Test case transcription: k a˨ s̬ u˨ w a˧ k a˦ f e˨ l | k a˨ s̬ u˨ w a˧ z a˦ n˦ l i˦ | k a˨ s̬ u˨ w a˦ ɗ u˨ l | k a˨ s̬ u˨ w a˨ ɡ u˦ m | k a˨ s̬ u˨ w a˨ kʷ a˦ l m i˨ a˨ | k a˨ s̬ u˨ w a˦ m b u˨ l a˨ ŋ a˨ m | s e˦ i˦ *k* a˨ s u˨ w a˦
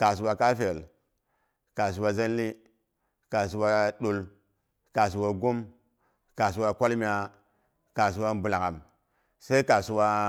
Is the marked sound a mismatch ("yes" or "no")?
no